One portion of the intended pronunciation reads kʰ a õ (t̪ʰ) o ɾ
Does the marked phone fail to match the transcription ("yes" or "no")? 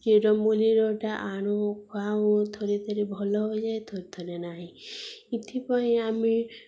no